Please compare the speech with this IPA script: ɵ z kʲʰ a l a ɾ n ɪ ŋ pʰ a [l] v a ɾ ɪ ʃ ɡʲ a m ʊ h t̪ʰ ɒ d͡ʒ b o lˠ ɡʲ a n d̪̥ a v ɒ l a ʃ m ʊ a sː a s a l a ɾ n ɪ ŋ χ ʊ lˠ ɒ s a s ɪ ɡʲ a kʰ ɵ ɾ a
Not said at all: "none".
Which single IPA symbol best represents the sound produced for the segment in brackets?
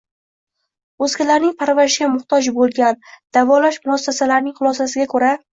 ɾ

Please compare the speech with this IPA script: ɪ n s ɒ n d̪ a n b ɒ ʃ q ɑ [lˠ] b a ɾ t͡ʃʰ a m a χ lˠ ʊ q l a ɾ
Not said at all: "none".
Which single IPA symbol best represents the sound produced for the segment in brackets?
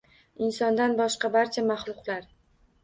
none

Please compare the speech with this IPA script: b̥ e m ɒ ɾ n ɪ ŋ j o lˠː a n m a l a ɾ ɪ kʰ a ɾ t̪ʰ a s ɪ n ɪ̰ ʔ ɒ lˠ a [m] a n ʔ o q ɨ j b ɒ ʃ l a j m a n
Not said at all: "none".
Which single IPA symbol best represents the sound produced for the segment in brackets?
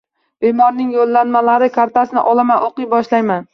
m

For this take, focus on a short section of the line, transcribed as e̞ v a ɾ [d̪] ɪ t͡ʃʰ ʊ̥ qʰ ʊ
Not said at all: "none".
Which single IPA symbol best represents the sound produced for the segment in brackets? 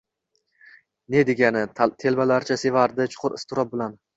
d̪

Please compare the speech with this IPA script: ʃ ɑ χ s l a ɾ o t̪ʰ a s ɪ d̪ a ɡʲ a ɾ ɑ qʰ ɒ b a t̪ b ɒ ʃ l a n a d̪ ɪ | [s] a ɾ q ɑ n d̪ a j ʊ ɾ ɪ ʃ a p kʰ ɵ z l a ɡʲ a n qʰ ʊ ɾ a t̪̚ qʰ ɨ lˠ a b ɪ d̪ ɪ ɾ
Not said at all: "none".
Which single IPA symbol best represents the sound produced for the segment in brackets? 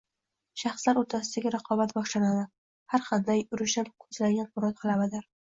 h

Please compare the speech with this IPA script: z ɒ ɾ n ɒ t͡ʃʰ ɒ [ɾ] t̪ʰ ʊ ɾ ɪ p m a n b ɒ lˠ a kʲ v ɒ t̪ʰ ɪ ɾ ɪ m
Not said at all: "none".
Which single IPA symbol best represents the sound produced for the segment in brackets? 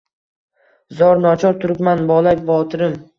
ɾ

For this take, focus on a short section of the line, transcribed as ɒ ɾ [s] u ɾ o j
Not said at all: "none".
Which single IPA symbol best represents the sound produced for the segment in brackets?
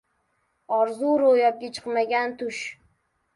z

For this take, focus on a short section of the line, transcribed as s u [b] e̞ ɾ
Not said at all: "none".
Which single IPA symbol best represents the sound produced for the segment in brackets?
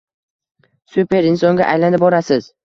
p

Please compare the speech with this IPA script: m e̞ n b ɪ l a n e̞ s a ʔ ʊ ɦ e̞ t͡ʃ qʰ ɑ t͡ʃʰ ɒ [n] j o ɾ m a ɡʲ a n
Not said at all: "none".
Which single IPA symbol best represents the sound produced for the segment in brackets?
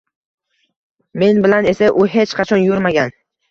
n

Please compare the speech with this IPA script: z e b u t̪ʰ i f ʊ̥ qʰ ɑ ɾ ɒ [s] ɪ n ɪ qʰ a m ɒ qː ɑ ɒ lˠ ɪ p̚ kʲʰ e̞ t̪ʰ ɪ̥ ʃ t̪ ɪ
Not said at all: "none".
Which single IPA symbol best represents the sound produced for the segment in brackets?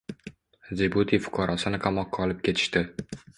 s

